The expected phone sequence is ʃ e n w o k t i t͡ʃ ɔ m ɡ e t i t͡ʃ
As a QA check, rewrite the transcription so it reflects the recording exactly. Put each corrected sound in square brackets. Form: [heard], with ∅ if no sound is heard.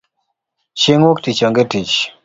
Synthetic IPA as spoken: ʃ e [ŋ] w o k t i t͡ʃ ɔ [ŋ] ɡ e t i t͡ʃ

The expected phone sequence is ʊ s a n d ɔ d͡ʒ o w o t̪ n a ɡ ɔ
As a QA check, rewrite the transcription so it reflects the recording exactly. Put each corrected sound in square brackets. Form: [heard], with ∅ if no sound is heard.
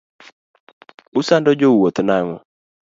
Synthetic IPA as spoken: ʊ s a n d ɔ d͡ʒ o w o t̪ n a [ŋ] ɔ

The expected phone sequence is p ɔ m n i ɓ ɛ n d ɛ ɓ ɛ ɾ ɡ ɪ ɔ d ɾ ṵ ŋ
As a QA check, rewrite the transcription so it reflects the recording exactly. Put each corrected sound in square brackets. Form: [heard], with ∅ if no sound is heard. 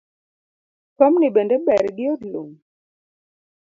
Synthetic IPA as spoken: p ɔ m n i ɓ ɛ n d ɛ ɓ ɛ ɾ ɡ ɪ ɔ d [l] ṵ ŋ

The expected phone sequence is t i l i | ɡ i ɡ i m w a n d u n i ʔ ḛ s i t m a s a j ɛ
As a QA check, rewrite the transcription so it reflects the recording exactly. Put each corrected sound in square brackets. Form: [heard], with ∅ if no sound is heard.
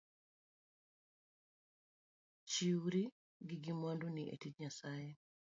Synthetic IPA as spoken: [t͡ʃ] i [ɾ] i | ɡ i ɡ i m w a n d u n i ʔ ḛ [t] i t [ɲ] a s a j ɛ

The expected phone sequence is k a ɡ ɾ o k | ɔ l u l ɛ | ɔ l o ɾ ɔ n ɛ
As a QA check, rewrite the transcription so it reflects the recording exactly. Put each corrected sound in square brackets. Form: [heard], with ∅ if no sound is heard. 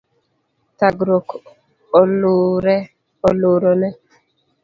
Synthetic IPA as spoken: [t] a ɡ ɾ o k | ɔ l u [ɾ] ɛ | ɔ l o ɾ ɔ n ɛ

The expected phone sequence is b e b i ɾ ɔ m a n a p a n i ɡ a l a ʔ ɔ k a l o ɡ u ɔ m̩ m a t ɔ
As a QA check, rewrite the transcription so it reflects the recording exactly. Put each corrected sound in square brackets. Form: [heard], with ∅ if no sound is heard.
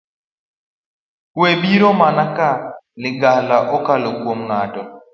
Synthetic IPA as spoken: [w] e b i ɾ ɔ m a n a [k] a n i ɡ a l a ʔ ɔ k a l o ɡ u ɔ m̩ [ŋ] a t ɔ

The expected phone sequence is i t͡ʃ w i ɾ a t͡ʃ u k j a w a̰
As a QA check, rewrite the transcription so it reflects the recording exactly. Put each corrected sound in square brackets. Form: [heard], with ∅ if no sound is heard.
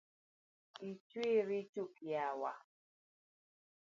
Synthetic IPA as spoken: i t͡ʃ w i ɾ [i] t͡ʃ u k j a w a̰

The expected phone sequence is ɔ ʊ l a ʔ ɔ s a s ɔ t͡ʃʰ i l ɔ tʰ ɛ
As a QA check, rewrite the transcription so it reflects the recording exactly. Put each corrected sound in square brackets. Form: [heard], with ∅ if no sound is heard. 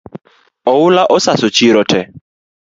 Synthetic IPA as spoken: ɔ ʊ l a ʔ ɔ s a s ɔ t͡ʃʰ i [ɾ] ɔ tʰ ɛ

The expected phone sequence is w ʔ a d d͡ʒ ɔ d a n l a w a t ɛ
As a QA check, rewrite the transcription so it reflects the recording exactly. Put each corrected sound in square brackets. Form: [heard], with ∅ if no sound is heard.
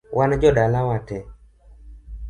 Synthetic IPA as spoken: w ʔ a [n] d͡ʒ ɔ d a [∅] l a w a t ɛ

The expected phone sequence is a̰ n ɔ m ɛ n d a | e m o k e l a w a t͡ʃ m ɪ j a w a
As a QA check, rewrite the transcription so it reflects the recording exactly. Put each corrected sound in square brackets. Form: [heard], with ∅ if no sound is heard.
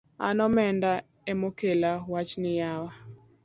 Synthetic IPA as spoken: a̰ n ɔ m ɛ n d a | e m o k e l a w a t͡ʃ [n] ɪ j a w a

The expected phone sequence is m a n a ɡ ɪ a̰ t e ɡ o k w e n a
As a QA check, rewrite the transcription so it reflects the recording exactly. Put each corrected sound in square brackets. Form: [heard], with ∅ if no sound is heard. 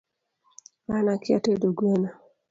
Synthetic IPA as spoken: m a n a [k] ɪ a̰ t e [d] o [ɡ] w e n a

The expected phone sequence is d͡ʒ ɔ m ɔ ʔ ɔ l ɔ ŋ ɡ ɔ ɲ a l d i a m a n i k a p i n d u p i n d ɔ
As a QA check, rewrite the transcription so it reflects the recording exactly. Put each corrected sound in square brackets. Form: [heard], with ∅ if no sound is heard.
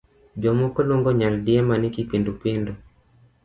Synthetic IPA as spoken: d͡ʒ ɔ m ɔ [k] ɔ l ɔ ŋ ɡ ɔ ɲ a l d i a m a n i k [i] p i n d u p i n d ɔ

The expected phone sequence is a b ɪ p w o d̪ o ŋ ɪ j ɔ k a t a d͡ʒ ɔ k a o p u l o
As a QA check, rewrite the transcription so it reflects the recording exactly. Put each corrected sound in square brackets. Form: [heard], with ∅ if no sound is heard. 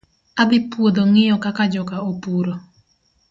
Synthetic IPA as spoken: a b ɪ p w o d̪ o ŋ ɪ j ɔ k a [k] a d͡ʒ ɔ k a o p u [ɾ] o

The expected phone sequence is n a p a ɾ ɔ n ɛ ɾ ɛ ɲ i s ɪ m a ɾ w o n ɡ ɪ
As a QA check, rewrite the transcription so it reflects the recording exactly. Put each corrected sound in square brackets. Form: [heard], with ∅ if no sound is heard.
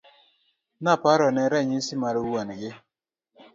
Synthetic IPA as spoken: n a p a ɾ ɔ n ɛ ɾ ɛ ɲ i s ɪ m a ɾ w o n ɡ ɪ

